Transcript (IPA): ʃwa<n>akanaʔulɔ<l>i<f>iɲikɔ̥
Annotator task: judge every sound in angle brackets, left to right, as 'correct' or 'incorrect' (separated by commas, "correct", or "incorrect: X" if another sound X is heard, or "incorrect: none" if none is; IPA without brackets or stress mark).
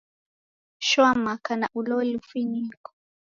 incorrect: m, correct, correct